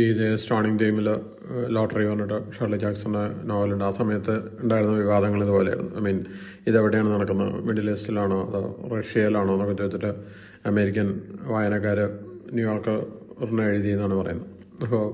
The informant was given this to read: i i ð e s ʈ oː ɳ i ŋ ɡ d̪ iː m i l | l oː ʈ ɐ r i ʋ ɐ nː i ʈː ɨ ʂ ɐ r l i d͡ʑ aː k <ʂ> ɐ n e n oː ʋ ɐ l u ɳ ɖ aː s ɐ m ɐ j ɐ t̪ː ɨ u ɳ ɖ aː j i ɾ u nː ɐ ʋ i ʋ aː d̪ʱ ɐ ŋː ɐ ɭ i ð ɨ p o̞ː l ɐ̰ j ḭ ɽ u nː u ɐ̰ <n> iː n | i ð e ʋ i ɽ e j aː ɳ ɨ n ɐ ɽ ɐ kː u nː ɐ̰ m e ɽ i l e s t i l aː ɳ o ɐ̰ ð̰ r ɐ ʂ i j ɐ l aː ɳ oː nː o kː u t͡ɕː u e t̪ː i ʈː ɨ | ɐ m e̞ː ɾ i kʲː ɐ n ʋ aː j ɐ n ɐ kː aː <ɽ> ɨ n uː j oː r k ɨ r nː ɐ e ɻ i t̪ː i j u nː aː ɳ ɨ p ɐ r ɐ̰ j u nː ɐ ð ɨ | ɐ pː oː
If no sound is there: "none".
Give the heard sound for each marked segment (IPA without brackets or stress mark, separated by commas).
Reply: s, m, ɾ